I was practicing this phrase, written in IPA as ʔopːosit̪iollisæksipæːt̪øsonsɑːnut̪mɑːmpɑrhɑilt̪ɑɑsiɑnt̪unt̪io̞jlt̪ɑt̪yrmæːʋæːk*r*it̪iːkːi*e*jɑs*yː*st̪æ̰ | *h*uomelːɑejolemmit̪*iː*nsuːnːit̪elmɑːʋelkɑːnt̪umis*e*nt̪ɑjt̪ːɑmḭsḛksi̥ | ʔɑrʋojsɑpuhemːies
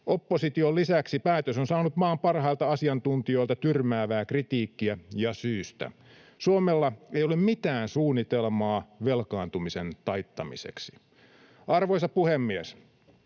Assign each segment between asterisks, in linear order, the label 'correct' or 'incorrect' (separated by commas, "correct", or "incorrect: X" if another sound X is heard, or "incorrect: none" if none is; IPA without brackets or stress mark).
correct, incorrect: æ, correct, incorrect: s, incorrect: æː, correct